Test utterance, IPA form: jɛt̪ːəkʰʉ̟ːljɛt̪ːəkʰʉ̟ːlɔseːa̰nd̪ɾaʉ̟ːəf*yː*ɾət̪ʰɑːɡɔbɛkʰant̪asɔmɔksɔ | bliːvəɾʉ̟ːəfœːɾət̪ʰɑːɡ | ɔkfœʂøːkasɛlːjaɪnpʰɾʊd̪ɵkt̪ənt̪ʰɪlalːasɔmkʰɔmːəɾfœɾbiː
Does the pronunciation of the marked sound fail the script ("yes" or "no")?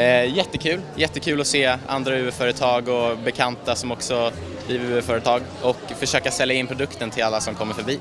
yes